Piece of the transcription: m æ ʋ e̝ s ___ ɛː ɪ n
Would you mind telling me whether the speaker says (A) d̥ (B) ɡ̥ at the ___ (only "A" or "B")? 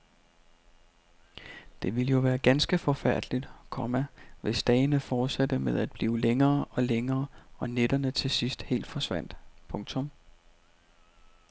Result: A